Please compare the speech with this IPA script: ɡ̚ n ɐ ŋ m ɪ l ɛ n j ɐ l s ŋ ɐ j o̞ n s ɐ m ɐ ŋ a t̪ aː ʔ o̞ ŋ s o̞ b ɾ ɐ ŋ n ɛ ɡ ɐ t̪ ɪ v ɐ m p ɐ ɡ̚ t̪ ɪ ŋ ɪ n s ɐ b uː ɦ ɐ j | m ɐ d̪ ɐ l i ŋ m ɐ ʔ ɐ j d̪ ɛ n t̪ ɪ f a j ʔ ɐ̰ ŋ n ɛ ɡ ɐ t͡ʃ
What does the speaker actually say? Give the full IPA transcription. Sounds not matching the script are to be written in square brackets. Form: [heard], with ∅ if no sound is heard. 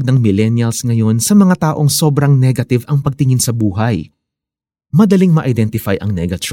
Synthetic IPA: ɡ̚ n ɐ ŋ m ɪ l ɛ n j ɐ l s ŋ ɐ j o̞ n s ɐ m ɐ ŋ a t̪ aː ʔ o̞ ŋ s o̞ b ɾ ɐ ŋ n ɛ ɡ ɐ t̪ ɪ v ɐ [ŋ] p ɐ ɡ̚ t̪ ɪ ŋ ɪ n s ɐ b uː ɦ ɐ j | m ɐ d̪ ɐ l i ŋ m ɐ ʔ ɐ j d̪ ɛ n t̪ ɪ f a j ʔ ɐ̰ ŋ n ɛ ɡ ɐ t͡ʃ